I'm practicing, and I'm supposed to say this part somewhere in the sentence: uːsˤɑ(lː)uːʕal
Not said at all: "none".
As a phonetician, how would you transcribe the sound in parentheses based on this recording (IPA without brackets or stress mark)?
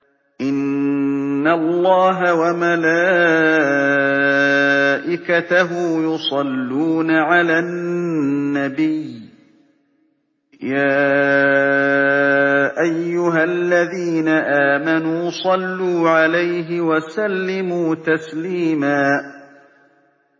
lː